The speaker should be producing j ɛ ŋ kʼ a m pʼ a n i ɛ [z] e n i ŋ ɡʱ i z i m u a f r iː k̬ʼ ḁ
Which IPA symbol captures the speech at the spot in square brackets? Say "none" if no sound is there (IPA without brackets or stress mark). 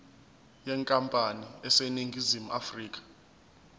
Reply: s